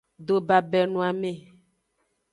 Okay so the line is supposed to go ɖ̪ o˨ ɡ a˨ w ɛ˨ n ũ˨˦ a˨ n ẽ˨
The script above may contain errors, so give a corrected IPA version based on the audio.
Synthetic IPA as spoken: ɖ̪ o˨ b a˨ b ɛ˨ n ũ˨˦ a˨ m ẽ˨